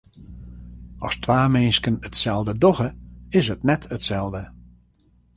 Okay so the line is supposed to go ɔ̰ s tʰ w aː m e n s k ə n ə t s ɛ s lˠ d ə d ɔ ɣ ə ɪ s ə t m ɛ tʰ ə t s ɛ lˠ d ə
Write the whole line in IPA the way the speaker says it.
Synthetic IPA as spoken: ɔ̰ s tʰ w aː m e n s k ə n ə t s ɛ lˠ d ə d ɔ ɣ ə ɪ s ə t n ɛ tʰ ə t s ɛ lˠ d ə